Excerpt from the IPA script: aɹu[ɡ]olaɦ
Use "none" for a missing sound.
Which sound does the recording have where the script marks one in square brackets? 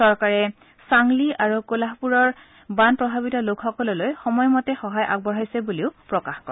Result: k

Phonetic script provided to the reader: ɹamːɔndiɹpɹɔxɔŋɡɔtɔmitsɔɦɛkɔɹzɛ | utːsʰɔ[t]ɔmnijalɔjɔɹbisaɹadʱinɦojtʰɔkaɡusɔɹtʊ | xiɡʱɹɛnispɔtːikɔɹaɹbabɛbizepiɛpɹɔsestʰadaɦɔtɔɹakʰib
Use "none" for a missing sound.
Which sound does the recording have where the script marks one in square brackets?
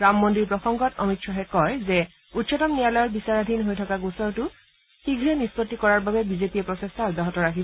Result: t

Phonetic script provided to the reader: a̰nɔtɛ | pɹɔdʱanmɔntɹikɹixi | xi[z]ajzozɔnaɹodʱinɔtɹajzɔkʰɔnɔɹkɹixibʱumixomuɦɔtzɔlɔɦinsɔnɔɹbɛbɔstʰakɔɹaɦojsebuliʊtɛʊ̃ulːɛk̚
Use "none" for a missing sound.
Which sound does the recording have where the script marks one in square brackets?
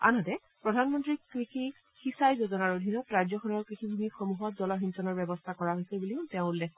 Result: s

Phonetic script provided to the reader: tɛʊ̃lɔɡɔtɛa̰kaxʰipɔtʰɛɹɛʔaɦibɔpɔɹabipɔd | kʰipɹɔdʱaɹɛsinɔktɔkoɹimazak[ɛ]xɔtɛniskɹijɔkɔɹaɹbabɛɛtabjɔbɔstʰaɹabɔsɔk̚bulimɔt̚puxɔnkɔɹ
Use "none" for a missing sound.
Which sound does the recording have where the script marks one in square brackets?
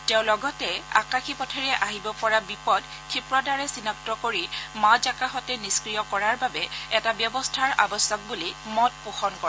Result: a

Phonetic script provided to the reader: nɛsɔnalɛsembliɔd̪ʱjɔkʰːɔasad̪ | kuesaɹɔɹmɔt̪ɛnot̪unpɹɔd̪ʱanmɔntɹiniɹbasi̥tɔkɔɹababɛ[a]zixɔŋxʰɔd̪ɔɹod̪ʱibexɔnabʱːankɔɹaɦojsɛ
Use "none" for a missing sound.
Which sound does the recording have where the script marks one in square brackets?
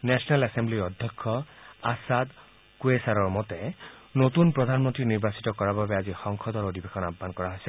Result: a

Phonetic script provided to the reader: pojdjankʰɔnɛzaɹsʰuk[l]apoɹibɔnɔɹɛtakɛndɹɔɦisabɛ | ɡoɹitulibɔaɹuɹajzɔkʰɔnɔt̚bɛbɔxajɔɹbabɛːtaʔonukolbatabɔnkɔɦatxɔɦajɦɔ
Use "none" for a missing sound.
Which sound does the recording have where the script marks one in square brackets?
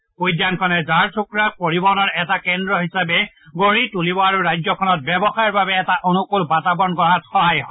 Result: ɹ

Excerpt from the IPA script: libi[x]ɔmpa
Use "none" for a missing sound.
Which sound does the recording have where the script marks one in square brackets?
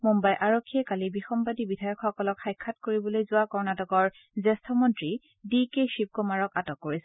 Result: x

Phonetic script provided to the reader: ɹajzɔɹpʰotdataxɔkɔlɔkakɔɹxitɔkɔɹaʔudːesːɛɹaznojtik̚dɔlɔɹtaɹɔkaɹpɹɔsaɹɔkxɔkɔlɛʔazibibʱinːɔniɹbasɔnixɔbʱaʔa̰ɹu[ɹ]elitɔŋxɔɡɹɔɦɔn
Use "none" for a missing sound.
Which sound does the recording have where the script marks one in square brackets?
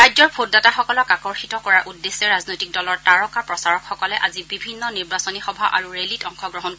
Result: ɹ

